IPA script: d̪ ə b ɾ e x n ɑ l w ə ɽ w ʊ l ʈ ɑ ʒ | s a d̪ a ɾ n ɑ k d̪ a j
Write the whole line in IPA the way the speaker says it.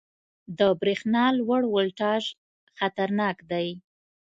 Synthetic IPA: d̪ ə b ɾ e x n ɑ l w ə ɽ w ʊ l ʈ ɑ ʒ | x a t̪ a ɾ n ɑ k d̪ a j